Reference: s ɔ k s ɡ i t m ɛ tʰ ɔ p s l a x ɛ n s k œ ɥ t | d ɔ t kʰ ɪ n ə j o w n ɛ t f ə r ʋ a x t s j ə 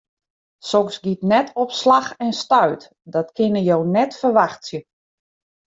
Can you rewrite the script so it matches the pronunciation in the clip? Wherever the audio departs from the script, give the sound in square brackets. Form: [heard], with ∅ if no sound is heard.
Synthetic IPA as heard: s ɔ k s ɡ i t [n] ɛ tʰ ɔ p s l a x ɛ n s [t] œ ɥ t | d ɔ t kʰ ɪ n ə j o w n ɛ t f ə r ʋ a x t s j ə

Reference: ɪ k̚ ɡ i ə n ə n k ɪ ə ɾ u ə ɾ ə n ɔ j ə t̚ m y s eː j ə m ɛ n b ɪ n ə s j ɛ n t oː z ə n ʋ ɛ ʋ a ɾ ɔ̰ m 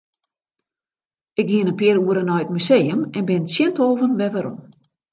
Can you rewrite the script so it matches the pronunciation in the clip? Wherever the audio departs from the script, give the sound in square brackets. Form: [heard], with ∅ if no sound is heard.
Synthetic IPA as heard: ɪ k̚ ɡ i ə n ə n [p] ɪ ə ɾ u ə ɾ ə n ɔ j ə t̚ m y s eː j ə m ɛ n b ɪ n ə s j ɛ n t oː [v] ə n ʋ ɛ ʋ a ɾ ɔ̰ m

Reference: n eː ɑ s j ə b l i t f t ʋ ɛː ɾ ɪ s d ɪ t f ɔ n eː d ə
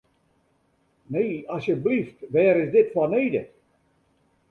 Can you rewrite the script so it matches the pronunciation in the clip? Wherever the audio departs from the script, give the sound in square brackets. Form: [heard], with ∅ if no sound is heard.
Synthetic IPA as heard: n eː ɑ s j ə b l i [∅] f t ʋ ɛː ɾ ɪ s d ɪ t f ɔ n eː d ə

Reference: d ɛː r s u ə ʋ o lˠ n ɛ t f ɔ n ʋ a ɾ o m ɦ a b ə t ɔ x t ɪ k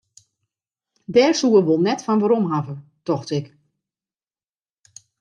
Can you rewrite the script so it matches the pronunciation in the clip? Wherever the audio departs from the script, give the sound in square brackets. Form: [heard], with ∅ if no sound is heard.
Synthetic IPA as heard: d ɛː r s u ə ʋ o lˠ n ɛ t f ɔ n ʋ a ɾ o m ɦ a [v] ə t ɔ x t ɪ k

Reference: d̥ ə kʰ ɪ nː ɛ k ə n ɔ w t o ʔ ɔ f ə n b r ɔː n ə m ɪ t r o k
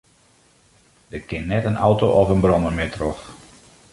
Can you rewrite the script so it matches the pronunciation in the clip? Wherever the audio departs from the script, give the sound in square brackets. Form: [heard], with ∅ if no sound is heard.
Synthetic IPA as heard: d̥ ə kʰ ɪ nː ɛ [t] ə n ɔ w t o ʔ ɔ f ə n b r [ɔ] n ə m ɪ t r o [x]

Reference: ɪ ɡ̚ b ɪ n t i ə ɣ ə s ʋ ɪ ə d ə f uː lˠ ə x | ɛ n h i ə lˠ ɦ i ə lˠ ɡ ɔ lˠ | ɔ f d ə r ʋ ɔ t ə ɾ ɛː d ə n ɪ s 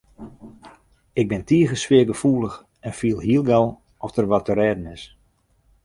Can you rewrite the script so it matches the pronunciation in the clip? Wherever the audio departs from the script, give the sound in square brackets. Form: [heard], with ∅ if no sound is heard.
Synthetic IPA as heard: ɪ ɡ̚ b ɪ n t i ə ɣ ə s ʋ ɪ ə [ɡ] ə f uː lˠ ə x | ɛ n [f] i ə lˠ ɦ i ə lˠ ɡ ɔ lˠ | ɔ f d ə r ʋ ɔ t ə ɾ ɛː d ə n ɪ s

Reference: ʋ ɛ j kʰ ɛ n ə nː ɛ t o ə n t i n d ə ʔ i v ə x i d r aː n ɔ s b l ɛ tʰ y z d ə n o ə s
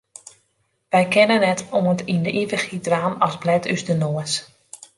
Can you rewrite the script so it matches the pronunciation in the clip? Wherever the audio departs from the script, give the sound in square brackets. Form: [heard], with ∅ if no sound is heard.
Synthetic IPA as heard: ʋ ɛ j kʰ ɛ n ə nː ɛ t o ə n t i n d ə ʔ i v ə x i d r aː n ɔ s b l ɛ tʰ y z d ə n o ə s

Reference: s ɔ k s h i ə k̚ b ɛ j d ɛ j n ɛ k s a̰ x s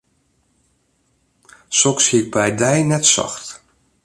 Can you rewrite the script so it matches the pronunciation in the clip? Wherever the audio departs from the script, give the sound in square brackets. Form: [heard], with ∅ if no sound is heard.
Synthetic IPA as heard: s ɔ k s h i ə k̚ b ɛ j d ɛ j n ɛ [t] s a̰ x [t]

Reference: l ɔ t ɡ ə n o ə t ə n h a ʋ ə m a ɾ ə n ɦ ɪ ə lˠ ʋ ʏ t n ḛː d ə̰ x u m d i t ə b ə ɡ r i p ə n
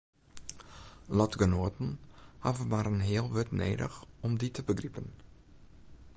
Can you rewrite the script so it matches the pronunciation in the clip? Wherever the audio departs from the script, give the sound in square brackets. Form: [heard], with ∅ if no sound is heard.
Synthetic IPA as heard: l ɔ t ɡ ə n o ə t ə n h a [v] ə m a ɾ ə n ɦ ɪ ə lˠ ʋ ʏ t n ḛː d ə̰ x [ɔ] m d i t ə b ə ɡ r i p ə n

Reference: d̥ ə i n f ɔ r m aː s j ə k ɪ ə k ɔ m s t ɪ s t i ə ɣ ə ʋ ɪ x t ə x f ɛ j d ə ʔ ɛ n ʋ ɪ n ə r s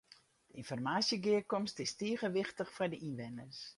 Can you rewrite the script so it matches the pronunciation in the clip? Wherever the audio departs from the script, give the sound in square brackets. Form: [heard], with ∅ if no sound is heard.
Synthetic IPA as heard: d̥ ə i n f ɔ r m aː s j ə [ɡ] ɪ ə k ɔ m s t ɪ s t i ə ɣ ə ʋ ɪ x t ə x f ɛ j d ə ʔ [i] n ʋ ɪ n ə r s

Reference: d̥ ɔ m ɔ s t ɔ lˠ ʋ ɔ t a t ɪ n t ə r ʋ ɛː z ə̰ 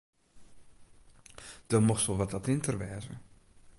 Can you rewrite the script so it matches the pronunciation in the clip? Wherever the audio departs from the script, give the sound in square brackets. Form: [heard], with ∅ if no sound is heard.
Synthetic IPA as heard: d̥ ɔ m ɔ [x] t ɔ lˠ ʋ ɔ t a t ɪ n t ə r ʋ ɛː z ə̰

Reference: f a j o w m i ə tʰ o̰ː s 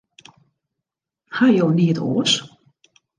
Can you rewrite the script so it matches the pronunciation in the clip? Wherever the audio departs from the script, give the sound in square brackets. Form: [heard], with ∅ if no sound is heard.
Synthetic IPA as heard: [h] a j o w [n] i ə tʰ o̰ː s

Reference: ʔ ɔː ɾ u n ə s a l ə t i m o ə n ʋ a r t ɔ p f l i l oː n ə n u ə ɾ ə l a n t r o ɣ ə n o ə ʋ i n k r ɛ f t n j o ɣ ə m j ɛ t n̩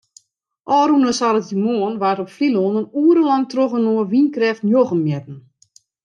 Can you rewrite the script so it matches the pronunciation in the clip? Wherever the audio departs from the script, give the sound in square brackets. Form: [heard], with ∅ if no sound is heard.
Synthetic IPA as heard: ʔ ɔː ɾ u n ə s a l ə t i m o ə n ʋ a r t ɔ p f l i l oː n ə n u ə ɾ ə l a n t r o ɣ ə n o ə ʋ i n k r ɛ f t n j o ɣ ə m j ɛ t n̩

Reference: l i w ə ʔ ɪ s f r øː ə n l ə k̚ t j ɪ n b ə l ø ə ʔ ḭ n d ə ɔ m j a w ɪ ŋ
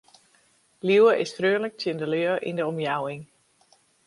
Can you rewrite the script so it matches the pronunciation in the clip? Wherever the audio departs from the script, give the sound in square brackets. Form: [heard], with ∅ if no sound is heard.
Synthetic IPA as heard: l i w ə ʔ ɪ s f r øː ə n l ə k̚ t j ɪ n [d] ə l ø ə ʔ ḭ n d ə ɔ m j a w ɪ ŋ

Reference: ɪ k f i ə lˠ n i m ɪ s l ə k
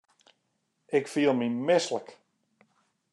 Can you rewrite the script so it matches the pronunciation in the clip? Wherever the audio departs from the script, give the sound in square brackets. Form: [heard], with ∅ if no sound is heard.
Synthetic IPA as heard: ɪ k f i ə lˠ [m] i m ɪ s l ə k

